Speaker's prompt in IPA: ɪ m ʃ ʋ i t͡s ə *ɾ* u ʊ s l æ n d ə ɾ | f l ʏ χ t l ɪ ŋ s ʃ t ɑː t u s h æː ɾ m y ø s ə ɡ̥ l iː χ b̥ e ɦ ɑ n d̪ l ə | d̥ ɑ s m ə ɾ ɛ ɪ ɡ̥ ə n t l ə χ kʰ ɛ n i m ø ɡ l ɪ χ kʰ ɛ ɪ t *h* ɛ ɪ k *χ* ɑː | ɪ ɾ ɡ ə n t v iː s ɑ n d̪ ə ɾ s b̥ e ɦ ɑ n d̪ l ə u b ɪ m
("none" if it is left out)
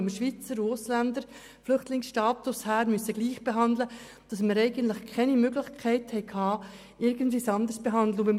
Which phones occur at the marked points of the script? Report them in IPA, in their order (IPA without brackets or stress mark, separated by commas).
ɾ, h, h